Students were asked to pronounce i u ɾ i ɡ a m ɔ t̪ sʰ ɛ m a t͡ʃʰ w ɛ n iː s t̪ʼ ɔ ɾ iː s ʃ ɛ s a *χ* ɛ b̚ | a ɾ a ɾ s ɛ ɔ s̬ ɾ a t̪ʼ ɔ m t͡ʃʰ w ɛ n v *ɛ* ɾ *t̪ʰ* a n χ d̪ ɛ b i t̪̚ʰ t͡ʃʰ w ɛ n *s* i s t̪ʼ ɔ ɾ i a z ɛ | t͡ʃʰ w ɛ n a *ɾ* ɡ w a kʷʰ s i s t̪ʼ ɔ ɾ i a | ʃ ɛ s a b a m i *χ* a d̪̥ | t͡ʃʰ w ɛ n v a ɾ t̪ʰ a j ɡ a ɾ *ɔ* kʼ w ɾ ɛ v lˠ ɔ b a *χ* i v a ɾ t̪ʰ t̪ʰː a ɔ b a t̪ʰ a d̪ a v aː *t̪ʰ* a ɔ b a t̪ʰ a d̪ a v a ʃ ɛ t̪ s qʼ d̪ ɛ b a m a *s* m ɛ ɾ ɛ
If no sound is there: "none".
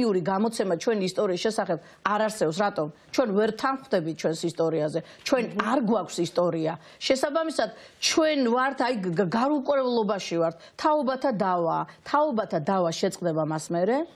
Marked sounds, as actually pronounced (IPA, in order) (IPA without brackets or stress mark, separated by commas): χ, ɛ, t̪ʰ, s, ɾ, s, u, ʃ, t̪ʰ, s